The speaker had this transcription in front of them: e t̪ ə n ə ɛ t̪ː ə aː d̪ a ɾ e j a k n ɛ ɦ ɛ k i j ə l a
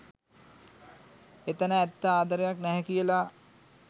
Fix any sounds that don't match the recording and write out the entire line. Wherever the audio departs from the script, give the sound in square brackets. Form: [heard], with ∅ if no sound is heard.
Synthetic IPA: e t̪ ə n ə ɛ t̪ː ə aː d̪ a ɾ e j a k n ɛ ɦ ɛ k i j ə l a